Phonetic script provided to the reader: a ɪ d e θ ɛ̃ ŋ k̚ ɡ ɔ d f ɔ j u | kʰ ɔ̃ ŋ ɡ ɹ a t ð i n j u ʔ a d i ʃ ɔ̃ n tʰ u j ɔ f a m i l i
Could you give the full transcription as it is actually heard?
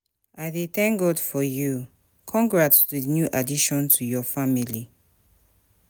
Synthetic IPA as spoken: a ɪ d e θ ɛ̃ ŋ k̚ ɡ ɔ d f ɔ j u | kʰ ɔ̃ ŋ ɡ ɹ a t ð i n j u ʔ a d i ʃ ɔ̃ n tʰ u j ɔ f a m i l i

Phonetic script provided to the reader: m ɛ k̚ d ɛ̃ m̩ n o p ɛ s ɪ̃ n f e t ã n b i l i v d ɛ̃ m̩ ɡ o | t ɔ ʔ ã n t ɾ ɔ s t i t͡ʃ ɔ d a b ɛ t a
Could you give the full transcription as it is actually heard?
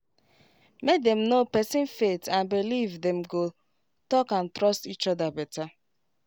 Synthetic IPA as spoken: m e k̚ d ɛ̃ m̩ n o p ɛ s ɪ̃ n f e t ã n b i l i v d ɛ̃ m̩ ɡ o | t ɔ k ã n t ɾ ɔ s t i t͡ʃ ɔ d a b ɛ t a

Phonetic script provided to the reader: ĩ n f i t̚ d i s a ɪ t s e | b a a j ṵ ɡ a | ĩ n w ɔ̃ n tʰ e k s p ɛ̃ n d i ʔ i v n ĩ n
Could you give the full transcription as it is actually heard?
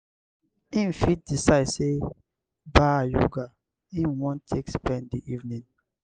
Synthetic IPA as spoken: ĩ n f i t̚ d i s a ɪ d s e | b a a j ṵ ɡ a | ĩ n w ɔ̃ n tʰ e k s p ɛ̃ n d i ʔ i v n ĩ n

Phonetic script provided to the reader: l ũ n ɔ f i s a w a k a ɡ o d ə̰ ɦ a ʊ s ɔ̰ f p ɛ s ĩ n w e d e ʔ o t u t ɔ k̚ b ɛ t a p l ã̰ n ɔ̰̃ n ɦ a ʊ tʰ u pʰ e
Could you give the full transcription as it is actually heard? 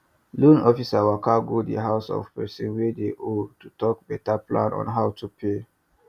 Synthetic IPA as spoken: l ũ n ɔ f i s a w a k a ɡ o d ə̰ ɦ a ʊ s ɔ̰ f p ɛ s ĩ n w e d e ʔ o t u t ɔ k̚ b ɛ t a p l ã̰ n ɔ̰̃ n ɦ a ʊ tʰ u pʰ e

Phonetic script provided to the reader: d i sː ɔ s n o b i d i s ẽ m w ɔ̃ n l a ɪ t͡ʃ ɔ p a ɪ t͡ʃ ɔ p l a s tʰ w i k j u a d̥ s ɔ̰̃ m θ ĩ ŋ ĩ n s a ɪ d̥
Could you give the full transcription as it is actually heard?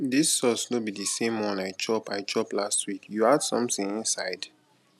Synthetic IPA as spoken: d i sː ɔ s n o b i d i s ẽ m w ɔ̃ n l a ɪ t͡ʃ ɔ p a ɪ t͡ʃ ɔ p l a s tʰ w i k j u a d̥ s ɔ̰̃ m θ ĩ ŋ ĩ n s a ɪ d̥

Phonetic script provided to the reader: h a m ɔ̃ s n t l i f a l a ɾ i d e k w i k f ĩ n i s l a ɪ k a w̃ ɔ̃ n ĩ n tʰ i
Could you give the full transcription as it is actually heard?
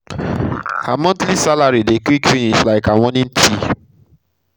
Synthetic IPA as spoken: h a m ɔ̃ n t l i s a l a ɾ i d e k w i k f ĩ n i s l a ɪ k a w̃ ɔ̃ n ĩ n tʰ i

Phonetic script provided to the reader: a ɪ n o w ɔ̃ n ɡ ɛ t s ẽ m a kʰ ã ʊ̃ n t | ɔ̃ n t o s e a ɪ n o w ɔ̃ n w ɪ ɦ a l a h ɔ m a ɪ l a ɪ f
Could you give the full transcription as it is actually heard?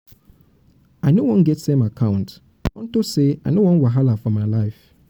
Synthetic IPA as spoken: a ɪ n o w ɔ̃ n ɡ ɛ t s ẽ m a kʰ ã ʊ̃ n t | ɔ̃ n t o s e a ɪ n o w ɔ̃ n w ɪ ɦ a l a f ɔ m a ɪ l a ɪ f

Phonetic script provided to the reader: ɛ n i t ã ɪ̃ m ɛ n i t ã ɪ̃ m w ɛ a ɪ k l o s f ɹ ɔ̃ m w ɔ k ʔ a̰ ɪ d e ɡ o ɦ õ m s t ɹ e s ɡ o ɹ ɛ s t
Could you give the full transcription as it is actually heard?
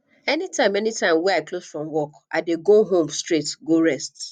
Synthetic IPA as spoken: ɛ n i t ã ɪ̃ m ɛ n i t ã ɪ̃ m w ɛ a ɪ k l o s f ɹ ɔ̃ m w ɔ k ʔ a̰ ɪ d e ɡ o ɦ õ m s t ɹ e t ɡ o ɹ ɛ s t

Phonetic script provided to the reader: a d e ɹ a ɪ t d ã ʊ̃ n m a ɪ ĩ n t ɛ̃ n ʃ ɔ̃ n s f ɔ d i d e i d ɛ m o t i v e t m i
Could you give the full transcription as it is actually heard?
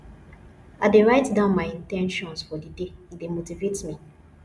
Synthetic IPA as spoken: a d e ɹ a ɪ t d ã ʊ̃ n m a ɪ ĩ n t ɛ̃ n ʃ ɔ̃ n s f ɔ d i d e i d e m o t i v e t m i

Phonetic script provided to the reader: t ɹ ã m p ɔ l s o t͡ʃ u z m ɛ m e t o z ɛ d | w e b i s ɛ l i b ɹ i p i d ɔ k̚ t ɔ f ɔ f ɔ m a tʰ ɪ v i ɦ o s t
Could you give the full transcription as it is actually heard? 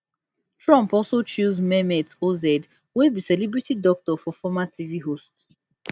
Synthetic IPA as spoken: t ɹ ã m p ɔ l s o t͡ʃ u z m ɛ m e t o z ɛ d | w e b i s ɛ l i b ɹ i t i d ɔ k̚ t ɔ f ɔ f ɔ m a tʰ i v i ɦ o s t

